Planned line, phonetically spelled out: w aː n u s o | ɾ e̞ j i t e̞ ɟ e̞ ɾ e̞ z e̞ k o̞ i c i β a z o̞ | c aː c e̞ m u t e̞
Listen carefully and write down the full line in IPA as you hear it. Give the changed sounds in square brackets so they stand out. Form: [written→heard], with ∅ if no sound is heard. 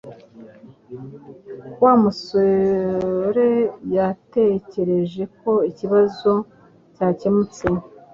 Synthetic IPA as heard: w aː [n→m] u s o | ɾ e̞ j [i→a] t e̞ [ɟ→c] e̞ ɾ e̞ [z→ʒ] e̞ k o̞ i c i β a z o̞ | c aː c e̞ m u [t→t͡s] e̞